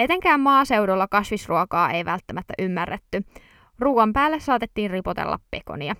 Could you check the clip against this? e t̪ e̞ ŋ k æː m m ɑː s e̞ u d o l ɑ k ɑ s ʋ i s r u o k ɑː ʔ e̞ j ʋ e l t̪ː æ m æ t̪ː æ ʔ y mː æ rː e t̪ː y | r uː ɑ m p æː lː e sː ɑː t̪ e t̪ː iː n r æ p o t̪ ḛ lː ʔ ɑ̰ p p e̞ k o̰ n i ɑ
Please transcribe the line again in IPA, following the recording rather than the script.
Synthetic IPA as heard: e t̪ e̞ ŋ k æː m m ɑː s e̞ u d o lː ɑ k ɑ s ʋ i s r u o k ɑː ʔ e̞ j ʋ æ l t̪ː æ m æ t̪ː æ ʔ y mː æ rː e t̪ː y | r uː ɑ m p æː lː e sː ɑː t̪ e t̪ː iː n r i p o t̪ ḛ lː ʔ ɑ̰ p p e̞ k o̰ n i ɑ